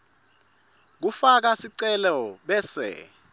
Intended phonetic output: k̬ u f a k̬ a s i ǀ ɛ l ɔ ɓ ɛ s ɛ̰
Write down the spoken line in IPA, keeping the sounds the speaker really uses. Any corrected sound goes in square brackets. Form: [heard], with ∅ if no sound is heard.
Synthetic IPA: k̬ u f a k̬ a s i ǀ ɛ l ɔ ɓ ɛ s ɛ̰